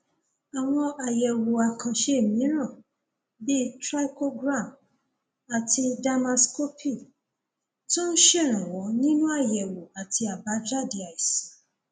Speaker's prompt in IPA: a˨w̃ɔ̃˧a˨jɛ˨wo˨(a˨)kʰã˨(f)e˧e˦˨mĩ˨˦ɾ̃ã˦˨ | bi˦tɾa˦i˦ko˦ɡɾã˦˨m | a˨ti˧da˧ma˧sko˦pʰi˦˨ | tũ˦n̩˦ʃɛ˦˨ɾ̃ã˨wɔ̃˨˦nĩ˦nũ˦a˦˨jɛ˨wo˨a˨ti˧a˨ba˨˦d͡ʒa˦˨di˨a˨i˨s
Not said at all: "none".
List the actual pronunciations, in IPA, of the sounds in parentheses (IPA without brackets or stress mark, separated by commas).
a˨, ʃ